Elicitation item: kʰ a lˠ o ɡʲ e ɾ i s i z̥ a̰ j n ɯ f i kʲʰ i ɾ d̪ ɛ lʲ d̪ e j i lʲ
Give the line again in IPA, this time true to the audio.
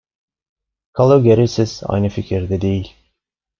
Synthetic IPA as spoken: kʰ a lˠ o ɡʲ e ɾ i s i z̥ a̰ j n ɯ f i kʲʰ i ɾ d̪ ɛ d̪ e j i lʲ